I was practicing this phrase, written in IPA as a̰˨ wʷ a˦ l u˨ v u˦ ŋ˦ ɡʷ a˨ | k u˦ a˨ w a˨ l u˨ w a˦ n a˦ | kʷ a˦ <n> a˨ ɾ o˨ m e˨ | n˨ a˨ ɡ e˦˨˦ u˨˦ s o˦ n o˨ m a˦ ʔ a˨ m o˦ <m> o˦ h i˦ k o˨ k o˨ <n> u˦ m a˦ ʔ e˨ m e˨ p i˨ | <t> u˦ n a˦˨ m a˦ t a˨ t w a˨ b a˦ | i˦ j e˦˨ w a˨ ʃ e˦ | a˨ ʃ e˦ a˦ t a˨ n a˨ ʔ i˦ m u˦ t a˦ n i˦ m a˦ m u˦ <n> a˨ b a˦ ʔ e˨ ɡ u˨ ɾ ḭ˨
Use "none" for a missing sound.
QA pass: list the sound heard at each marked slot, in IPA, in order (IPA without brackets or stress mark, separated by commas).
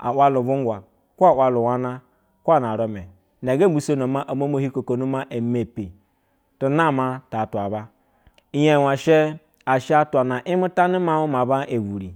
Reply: n, m, n, t, m